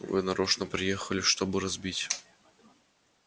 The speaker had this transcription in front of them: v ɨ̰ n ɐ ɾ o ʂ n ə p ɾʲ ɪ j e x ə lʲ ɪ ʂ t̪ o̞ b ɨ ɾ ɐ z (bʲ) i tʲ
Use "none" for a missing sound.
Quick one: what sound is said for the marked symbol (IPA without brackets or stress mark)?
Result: bʲ